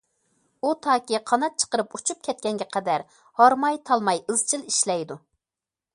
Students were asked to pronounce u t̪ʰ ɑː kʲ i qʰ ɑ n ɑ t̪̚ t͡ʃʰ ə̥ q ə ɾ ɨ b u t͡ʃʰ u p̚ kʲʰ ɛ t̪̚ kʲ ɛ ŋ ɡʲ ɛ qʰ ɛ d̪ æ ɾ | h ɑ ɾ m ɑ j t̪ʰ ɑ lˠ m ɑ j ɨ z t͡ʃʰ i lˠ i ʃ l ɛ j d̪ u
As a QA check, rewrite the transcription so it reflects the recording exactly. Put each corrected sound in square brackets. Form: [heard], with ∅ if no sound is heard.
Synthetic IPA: u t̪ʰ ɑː kʲ i qʰ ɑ n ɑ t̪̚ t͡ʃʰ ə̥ q ə ɾ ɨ [p] u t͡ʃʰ u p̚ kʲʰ ɛ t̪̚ kʲ ɛ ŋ ɡʲ ɛ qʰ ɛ d̪ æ ɾ | h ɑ ɾ m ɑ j t̪ʰ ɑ lˠ m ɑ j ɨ z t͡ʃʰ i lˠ i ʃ l ɛ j d̪ u